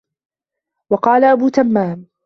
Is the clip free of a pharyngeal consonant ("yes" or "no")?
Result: yes